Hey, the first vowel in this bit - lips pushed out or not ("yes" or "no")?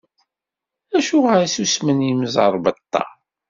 no